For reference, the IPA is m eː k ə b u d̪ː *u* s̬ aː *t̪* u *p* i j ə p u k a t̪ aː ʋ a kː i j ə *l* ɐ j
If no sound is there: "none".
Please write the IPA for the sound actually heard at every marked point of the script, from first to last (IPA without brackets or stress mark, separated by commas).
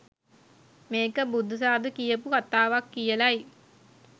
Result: u, d̪, k, l